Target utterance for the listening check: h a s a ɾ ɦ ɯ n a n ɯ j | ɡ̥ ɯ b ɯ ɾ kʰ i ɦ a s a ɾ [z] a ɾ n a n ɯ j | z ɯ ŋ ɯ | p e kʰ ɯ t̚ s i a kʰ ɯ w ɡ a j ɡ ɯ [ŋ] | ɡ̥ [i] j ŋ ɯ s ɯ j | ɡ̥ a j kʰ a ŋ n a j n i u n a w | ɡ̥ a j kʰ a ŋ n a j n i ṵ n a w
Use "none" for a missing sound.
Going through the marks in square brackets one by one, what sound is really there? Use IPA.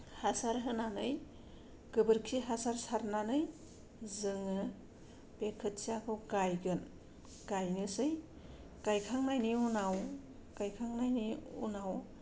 s, n, a

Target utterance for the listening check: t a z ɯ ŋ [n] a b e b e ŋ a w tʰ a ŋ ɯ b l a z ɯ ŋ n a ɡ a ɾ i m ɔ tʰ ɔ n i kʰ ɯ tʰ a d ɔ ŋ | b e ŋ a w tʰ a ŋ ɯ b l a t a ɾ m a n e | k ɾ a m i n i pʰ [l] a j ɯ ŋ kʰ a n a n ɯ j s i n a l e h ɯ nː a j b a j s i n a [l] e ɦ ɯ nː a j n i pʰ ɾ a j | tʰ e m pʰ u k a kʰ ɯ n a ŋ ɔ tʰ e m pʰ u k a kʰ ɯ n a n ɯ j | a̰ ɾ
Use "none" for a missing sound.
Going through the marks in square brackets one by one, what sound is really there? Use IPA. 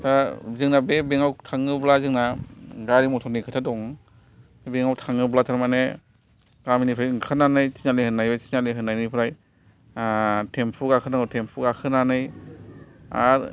n, ɾ, l

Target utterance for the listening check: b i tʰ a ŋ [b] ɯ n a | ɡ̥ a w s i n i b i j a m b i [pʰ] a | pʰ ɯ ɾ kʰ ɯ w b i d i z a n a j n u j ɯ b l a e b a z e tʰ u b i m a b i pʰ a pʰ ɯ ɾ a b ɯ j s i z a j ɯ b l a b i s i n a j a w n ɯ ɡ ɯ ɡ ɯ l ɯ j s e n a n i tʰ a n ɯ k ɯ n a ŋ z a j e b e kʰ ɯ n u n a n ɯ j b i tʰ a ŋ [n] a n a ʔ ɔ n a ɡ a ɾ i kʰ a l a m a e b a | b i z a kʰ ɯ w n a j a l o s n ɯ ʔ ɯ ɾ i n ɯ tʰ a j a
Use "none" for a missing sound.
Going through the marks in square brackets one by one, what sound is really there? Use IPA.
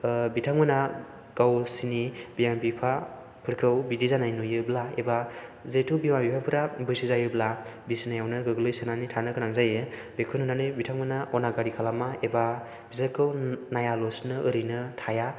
m, pʰ, m

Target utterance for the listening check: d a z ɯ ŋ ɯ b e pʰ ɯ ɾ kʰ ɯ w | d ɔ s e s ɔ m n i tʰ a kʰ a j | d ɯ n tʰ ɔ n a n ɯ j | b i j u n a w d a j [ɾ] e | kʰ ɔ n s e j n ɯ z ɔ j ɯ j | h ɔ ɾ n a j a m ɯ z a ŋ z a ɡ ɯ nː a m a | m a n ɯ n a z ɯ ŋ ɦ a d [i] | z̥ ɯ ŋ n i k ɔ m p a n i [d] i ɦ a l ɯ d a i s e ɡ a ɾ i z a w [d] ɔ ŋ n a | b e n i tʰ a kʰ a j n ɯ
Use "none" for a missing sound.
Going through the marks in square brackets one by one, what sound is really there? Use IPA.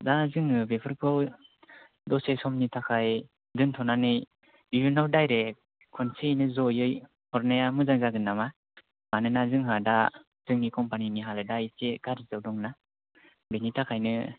ɾ, a, n, d

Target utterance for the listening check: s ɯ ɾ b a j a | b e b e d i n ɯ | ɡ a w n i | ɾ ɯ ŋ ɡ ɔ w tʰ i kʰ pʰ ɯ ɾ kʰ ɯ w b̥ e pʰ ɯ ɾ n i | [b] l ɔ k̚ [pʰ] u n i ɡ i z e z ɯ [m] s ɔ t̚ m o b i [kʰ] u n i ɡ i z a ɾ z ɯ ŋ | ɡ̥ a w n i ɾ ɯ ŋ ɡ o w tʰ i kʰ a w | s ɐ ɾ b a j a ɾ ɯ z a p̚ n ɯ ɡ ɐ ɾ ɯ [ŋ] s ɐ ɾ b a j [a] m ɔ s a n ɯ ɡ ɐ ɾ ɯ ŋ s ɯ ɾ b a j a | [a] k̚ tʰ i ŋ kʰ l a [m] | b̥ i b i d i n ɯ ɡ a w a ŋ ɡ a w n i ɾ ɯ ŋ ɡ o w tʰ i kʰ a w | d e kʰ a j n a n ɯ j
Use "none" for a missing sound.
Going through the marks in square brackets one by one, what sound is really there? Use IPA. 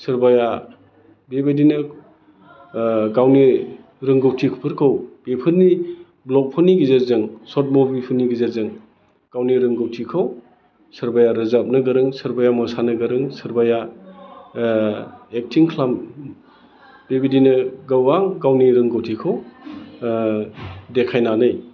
b, pʰ, ŋ, pʰ, ŋ, a, e, m

